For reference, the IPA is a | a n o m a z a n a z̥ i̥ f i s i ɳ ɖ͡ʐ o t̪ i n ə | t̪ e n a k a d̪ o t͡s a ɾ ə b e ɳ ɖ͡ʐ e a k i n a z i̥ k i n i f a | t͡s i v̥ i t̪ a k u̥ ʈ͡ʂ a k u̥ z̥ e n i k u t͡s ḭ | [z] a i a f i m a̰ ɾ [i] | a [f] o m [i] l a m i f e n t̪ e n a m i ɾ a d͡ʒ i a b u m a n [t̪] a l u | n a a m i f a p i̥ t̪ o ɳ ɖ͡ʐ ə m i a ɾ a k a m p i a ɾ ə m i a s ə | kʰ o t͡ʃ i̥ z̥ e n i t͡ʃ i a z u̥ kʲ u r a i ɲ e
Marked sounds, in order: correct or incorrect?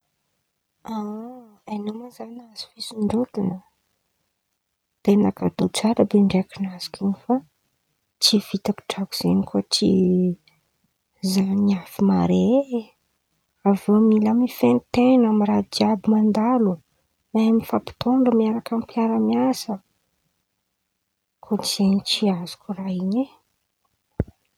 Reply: correct, incorrect: e, incorrect: v, correct, incorrect: d̪

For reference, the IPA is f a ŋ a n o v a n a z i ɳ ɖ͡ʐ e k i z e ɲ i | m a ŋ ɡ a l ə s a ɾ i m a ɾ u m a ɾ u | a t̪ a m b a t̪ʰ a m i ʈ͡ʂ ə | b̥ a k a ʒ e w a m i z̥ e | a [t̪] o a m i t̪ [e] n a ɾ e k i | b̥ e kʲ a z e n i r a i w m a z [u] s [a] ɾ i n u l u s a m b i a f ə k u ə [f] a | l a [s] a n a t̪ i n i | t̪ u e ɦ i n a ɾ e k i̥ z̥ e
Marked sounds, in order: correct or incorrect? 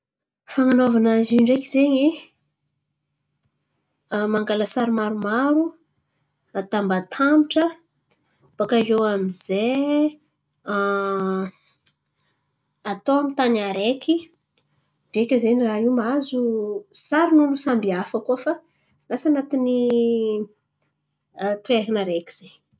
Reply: correct, incorrect: a, correct, correct, correct, correct

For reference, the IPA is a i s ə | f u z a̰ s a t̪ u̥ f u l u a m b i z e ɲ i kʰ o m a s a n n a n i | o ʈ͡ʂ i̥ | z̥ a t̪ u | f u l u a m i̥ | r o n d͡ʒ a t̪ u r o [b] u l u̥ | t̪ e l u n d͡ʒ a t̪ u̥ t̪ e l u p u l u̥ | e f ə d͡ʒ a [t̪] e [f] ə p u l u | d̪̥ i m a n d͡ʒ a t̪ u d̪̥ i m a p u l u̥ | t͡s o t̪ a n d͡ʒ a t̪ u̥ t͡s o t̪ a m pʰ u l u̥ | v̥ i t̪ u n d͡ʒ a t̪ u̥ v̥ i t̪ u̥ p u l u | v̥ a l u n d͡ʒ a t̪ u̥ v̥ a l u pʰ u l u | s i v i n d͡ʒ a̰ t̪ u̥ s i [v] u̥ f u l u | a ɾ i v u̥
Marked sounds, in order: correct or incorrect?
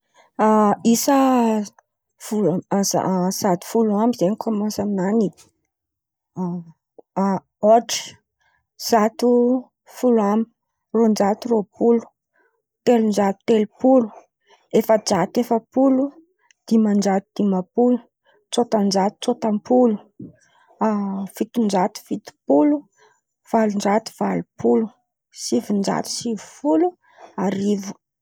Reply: incorrect: p, correct, correct, correct

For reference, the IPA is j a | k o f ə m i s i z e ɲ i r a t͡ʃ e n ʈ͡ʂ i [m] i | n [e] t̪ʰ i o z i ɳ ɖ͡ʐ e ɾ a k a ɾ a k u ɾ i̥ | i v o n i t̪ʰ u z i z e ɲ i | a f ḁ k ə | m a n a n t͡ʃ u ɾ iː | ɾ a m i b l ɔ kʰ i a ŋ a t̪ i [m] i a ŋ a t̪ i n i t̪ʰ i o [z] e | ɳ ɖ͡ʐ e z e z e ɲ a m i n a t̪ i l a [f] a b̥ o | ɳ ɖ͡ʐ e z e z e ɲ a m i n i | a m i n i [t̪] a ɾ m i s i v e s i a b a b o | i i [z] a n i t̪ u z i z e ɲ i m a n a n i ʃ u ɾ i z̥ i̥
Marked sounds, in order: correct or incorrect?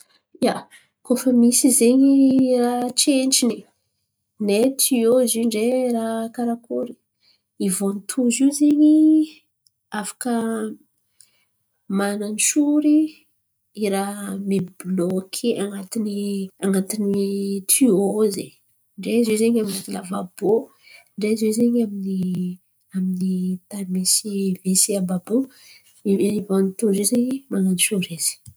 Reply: incorrect: n, correct, incorrect: n, correct, incorrect: v, correct, incorrect: v

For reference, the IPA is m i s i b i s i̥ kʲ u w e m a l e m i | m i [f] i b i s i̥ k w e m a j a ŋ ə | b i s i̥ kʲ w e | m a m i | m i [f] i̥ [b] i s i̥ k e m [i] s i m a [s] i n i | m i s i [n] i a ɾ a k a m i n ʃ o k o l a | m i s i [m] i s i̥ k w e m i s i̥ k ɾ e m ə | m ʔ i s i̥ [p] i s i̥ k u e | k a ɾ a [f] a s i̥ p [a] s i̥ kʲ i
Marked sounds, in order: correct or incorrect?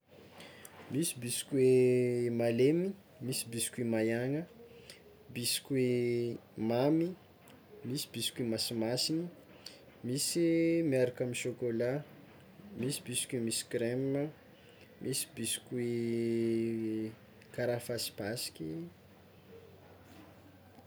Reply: incorrect: s, incorrect: s, correct, incorrect: a, correct, incorrect: m, incorrect: b, incorrect: b, correct, correct

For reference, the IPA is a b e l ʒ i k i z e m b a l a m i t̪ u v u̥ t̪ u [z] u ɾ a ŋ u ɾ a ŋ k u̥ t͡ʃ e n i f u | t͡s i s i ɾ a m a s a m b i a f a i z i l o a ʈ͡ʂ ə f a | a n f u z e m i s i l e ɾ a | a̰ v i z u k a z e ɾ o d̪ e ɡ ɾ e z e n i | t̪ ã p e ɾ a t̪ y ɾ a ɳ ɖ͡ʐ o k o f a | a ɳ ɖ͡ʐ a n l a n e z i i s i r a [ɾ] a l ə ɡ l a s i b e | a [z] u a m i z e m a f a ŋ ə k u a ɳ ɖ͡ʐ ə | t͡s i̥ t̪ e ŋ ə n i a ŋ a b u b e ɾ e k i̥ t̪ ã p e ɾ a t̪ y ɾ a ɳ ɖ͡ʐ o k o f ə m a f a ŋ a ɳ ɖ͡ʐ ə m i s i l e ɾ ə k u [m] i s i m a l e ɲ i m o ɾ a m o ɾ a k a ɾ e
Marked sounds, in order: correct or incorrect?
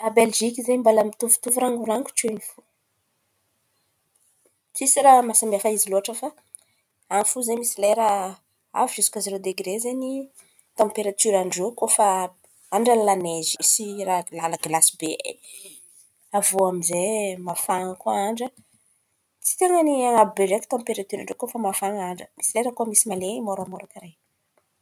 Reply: incorrect: v, incorrect: l, incorrect: v, correct

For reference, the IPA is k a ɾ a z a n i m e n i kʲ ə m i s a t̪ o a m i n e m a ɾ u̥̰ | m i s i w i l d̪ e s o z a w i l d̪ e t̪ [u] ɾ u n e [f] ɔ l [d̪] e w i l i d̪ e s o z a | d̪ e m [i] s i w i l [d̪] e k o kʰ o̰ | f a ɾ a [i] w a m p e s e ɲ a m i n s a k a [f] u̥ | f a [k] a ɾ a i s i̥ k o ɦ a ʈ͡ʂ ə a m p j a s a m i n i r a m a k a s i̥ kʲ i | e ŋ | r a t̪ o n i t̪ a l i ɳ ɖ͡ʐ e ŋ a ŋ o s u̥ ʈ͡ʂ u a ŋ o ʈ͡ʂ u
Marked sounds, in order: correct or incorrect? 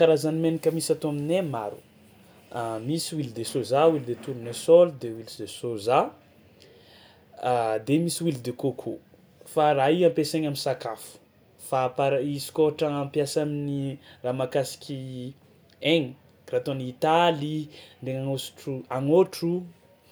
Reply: correct, incorrect: s, correct, correct, correct, correct, correct, incorrect: p

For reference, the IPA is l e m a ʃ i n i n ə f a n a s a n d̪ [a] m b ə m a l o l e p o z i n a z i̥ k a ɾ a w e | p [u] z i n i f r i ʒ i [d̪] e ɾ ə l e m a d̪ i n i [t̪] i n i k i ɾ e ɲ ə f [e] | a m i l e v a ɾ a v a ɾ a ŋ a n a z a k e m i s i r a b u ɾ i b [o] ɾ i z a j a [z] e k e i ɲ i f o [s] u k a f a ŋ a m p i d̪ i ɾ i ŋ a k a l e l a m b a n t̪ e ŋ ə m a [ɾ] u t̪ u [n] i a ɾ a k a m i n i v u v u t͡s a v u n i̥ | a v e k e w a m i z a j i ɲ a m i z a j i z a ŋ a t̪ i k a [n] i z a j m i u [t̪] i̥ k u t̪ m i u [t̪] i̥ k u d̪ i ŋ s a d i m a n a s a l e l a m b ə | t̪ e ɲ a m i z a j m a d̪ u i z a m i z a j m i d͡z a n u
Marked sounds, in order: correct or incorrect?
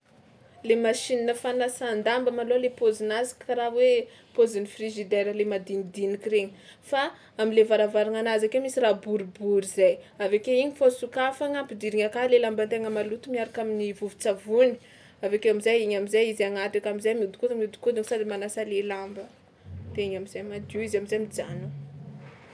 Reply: correct, incorrect: o, correct, incorrect: d̪, incorrect: a, incorrect: u, incorrect: v, correct, incorrect: l, incorrect: m, incorrect: m, incorrect: d̪, incorrect: d̪

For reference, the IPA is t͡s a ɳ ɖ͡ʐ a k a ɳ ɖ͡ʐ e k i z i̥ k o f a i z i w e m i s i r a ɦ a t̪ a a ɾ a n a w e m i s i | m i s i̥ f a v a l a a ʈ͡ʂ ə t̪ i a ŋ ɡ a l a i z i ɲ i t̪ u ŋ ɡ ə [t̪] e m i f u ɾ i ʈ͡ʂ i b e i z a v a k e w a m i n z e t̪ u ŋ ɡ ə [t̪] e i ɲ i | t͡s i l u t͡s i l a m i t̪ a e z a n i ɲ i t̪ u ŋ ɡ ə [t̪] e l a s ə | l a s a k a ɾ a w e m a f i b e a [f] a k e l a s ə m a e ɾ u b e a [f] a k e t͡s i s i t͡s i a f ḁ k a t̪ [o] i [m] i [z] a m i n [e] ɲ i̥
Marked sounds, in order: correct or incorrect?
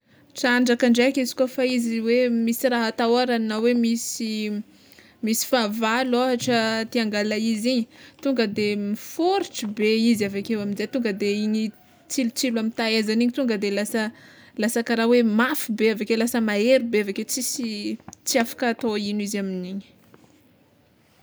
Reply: incorrect: d̪, incorrect: d̪, incorrect: d̪, incorrect: v, incorrect: v, correct, incorrect: n, correct, incorrect: i

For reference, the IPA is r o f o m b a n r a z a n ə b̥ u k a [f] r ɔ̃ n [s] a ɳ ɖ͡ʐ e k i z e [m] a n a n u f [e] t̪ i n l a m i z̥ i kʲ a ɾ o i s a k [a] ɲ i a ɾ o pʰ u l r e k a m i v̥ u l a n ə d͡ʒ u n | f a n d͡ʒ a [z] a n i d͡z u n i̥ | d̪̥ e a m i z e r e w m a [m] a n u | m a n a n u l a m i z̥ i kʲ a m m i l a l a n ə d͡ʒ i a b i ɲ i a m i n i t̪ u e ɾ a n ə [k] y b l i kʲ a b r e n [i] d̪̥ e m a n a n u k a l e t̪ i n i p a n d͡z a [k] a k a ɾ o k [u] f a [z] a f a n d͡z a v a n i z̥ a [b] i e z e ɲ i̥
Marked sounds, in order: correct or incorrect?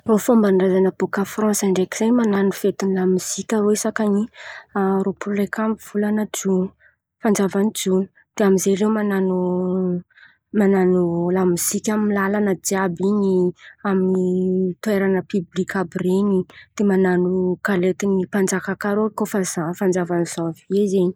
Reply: correct, correct, correct, correct, correct, incorrect: v, incorrect: n, incorrect: p, correct, correct, incorrect: o, correct, incorrect: v

